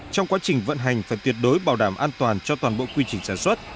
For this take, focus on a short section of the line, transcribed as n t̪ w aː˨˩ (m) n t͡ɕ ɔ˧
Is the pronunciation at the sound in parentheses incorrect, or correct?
incorrect